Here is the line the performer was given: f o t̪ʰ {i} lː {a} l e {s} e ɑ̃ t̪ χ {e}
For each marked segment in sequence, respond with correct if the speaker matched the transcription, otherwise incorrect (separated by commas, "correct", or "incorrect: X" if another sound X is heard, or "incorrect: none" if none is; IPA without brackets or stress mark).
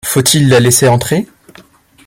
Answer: correct, correct, correct, correct